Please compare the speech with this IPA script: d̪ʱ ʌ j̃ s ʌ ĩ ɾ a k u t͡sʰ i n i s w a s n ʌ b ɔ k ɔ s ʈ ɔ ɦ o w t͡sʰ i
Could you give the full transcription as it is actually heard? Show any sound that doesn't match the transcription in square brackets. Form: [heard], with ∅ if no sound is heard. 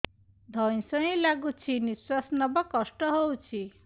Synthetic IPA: d̪ʱ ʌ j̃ s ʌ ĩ [l] a [ɡ] u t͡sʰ i n i s w a s n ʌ b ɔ k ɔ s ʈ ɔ ɦ o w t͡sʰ i